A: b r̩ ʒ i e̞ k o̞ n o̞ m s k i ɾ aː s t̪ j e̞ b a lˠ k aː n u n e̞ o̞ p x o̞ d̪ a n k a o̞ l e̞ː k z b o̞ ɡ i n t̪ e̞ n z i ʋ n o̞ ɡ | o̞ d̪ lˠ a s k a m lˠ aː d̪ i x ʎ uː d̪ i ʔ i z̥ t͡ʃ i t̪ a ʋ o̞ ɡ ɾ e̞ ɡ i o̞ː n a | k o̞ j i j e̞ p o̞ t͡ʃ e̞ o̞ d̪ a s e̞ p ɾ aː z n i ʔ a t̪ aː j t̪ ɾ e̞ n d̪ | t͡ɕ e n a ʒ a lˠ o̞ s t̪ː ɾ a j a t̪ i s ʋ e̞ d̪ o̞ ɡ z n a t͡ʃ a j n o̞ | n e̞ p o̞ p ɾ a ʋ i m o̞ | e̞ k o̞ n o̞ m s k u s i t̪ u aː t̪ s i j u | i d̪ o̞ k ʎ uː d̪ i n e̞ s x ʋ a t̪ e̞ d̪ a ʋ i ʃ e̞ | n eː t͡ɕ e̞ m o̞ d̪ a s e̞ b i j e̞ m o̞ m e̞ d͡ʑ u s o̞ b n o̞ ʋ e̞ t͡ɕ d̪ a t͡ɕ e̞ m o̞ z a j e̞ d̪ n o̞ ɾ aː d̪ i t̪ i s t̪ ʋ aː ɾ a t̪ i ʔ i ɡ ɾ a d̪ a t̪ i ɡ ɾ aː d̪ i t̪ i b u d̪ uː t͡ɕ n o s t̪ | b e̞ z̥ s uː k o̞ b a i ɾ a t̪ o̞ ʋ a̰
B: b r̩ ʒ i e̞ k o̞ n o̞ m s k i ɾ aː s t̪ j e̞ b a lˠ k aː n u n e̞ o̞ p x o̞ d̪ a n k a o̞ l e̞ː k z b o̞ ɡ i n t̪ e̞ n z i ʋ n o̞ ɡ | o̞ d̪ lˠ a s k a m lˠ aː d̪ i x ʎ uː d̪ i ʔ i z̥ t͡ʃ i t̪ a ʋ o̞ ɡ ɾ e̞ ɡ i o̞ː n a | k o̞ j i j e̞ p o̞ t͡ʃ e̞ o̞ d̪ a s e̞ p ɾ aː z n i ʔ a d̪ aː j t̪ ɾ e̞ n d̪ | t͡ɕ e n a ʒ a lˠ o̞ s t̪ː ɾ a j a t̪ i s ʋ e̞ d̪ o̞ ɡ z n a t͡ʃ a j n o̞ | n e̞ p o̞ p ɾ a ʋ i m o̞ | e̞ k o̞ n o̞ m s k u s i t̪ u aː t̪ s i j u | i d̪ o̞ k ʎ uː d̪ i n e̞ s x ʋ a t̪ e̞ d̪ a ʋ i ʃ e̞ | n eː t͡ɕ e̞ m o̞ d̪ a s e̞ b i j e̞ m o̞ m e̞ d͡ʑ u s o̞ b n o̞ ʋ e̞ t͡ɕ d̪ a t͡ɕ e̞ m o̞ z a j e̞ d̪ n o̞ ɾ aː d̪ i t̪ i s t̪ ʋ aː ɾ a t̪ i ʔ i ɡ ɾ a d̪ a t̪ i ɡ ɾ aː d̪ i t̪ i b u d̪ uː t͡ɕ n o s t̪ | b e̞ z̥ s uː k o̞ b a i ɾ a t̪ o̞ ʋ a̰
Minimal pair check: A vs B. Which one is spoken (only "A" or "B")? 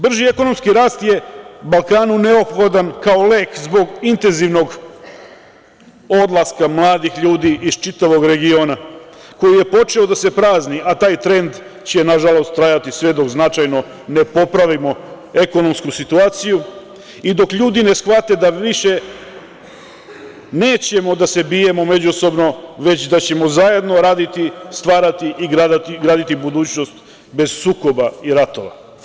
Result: A